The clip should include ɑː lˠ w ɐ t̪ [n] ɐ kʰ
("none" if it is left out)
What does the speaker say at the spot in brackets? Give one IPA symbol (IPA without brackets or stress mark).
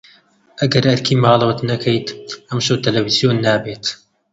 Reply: n